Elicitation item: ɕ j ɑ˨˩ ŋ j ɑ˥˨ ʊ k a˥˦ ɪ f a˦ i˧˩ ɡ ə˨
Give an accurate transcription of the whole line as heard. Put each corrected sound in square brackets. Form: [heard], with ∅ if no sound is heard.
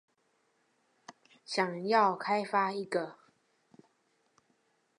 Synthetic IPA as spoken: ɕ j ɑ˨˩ ŋ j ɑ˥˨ ʊ [kʰ] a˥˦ ɪ f a˦ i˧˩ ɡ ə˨